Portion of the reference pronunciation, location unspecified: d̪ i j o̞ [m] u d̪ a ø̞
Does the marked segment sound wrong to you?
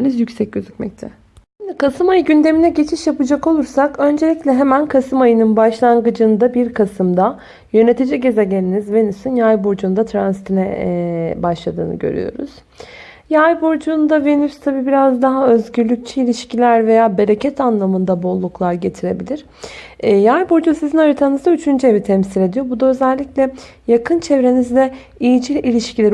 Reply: yes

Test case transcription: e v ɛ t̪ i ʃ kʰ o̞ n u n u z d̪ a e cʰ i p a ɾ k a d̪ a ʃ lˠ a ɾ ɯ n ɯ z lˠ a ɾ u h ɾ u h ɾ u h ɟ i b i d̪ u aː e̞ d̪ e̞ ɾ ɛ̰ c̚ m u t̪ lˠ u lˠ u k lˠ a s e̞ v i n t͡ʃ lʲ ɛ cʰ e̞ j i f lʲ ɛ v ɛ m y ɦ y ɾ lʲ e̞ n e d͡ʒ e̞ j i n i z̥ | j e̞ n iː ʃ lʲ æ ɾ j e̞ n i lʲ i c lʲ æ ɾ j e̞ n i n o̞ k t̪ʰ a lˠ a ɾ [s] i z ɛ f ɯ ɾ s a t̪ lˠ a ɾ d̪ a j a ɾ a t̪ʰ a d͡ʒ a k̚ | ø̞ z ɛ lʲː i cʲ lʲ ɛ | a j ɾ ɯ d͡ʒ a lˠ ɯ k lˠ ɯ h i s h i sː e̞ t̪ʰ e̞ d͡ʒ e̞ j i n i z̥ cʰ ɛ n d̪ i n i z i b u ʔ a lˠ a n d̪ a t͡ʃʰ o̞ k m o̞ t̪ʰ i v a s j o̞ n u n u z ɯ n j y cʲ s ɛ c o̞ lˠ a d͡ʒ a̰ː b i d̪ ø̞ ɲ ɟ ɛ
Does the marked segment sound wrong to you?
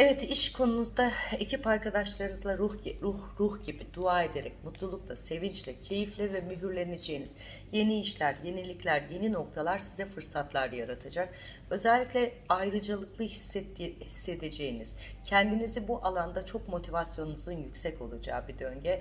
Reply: no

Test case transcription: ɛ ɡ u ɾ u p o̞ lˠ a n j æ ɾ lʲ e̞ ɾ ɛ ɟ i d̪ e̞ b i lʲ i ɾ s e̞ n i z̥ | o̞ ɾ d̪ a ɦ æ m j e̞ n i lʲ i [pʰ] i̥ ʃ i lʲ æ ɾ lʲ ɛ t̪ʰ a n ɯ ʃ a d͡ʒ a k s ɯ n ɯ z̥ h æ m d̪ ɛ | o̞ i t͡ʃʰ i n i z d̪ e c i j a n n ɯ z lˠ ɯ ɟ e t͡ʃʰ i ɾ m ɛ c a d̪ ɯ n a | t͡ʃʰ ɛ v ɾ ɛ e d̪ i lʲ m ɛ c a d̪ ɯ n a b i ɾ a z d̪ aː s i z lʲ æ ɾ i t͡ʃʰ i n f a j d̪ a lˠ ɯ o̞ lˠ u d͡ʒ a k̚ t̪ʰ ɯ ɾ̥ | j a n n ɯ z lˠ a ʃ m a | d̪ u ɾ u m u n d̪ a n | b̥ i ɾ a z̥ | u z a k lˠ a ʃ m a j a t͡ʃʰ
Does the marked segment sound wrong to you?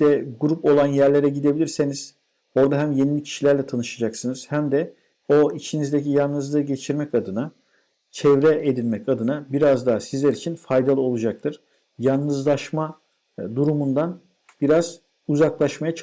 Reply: yes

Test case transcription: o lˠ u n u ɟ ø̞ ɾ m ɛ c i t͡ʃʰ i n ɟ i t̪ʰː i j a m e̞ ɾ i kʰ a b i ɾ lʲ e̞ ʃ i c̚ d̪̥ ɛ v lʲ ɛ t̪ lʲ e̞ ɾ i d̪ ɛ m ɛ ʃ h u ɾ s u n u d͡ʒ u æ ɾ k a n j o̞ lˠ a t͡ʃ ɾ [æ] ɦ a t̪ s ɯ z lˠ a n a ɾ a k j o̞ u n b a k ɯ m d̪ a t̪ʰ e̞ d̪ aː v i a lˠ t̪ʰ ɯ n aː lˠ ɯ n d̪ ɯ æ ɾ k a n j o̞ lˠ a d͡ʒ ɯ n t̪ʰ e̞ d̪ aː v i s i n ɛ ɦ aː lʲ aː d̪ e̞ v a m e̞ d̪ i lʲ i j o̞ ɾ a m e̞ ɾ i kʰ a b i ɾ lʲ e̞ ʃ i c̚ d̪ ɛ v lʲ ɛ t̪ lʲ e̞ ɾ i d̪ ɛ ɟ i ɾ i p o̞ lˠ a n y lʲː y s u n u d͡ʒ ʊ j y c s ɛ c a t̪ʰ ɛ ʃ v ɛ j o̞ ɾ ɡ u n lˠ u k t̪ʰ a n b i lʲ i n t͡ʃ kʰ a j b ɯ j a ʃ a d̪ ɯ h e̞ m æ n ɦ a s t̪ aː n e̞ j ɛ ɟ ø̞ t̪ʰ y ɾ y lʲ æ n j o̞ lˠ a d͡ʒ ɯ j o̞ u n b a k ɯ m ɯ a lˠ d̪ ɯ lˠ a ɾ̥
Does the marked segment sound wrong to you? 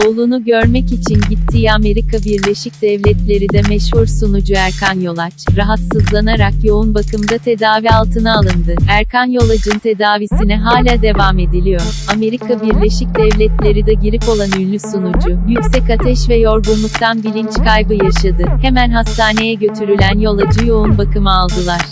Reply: yes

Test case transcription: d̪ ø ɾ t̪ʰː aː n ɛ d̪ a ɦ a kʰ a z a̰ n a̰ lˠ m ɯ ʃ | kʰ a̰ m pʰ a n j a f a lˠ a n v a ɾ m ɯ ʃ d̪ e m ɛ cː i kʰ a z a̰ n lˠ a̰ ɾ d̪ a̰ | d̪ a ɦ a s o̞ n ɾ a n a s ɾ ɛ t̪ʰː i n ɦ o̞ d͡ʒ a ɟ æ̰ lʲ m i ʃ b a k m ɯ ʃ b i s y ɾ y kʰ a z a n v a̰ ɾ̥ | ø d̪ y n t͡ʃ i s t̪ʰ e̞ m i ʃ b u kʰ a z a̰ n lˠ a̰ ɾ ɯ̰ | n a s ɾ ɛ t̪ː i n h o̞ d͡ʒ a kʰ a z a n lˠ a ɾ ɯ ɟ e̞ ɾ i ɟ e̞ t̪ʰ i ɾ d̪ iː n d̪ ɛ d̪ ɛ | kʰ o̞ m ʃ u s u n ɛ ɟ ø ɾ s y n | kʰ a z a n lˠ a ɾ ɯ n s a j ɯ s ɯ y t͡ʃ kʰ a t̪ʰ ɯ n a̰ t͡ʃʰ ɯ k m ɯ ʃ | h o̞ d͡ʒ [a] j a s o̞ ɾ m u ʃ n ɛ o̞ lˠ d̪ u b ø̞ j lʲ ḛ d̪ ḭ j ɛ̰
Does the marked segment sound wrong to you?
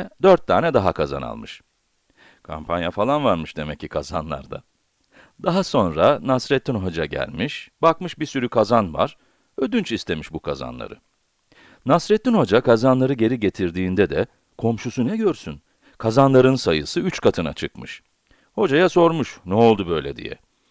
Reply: no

